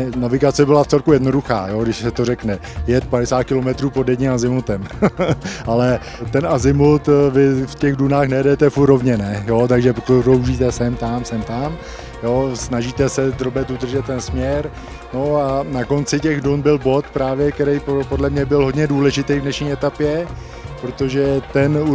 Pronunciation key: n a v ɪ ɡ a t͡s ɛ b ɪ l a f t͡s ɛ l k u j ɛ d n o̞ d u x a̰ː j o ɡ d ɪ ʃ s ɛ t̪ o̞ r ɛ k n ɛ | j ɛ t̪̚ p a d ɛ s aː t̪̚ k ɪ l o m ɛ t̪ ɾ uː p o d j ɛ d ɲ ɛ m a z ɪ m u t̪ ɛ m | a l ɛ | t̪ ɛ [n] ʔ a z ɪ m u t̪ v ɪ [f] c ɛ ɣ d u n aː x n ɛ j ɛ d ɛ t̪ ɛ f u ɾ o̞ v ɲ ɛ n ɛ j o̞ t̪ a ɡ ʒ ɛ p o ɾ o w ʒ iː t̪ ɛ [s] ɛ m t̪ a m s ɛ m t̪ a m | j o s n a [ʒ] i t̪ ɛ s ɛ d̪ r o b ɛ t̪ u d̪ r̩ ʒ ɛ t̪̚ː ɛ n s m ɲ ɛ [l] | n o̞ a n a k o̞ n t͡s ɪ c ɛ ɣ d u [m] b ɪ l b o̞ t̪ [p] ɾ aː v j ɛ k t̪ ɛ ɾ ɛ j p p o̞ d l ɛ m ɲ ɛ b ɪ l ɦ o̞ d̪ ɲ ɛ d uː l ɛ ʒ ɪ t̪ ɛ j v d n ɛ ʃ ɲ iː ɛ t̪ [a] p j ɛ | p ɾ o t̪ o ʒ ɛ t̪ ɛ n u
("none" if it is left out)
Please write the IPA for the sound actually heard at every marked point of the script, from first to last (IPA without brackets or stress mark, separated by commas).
n, f, s, ʒ, ɾ, n, p, a